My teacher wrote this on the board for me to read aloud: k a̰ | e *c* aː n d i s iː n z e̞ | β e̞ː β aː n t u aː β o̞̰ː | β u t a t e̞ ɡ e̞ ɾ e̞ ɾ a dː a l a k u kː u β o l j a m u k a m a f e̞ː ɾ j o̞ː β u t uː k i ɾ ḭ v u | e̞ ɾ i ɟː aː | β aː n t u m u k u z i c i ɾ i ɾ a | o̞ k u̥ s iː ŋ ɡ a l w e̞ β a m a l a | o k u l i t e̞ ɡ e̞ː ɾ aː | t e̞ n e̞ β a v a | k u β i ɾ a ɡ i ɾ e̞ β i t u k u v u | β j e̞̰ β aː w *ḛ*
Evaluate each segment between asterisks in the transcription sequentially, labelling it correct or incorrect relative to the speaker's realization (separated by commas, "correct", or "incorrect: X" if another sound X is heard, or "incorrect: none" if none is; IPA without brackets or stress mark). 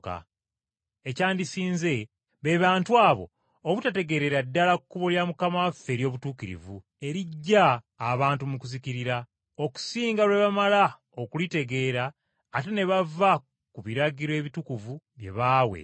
correct, correct